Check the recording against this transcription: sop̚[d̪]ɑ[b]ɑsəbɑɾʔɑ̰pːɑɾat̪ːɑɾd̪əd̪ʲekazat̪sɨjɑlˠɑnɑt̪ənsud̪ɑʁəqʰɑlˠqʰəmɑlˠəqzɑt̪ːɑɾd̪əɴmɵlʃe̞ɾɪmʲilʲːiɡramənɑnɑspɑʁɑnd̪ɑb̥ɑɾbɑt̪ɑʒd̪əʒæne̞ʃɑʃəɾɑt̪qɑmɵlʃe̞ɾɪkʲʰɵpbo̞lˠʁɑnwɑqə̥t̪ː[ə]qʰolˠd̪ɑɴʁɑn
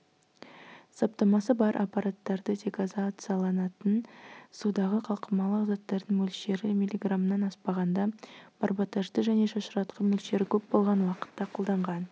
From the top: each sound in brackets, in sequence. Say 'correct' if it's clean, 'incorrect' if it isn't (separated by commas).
incorrect, incorrect, incorrect